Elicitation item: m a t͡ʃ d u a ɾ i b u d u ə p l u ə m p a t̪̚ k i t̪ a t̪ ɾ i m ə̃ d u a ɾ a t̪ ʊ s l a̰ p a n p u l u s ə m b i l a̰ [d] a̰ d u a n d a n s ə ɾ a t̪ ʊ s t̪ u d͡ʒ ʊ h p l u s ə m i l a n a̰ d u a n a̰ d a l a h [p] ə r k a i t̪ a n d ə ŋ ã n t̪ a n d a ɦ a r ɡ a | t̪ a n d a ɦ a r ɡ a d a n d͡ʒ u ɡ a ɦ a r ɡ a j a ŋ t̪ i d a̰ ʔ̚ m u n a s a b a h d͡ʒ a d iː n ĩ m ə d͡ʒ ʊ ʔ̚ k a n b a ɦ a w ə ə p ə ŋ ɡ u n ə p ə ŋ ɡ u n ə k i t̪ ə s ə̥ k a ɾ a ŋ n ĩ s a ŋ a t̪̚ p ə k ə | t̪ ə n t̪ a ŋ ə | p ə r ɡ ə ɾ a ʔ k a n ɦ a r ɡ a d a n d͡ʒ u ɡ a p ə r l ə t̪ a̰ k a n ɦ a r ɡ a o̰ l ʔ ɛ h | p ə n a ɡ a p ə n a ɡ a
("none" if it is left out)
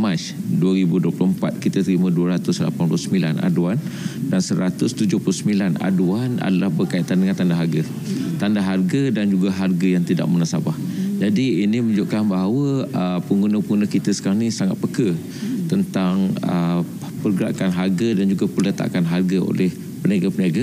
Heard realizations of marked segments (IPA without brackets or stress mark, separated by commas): n, b